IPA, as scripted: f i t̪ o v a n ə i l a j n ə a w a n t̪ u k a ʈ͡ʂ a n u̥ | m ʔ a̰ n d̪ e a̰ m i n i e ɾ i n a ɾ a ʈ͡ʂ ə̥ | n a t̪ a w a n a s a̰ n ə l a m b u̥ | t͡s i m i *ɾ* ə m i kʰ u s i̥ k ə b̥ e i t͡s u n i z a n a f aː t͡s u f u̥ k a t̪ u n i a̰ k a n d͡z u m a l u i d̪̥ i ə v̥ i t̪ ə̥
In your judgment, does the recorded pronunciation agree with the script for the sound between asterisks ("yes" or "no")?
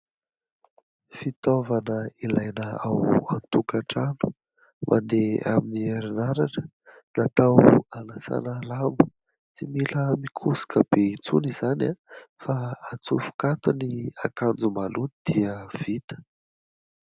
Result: no